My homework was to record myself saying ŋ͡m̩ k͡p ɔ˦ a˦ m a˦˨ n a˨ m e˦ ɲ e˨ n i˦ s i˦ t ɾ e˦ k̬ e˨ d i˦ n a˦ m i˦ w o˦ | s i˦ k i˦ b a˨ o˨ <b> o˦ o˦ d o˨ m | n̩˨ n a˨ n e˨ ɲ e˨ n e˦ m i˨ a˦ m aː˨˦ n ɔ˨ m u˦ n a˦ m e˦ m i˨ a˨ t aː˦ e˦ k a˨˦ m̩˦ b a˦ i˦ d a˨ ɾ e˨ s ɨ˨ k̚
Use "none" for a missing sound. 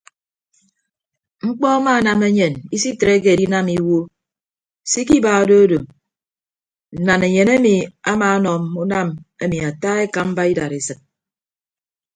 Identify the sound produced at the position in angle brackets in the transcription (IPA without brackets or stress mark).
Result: d